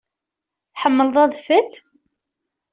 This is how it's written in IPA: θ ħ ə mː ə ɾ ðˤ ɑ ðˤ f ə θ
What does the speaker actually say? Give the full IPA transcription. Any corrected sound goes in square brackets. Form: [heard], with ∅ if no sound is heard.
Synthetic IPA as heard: θ ħ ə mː ə [l] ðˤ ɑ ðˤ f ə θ